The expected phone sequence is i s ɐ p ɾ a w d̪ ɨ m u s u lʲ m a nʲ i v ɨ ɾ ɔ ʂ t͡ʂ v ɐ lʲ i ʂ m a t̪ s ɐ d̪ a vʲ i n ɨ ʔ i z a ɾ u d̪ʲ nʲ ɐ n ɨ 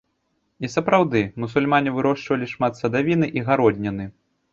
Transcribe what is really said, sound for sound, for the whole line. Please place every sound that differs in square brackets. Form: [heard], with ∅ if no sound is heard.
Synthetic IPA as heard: i s ɐ p ɾ a w d̪ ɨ m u s u lʲ m a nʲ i v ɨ ɾ ɔ ʂ t͡ʂ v ɐ lʲ i ʂ m a t̪ s ɐ d̪ a vʲ i n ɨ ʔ i [ɣ] a ɾ [ɔ] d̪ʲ nʲ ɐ n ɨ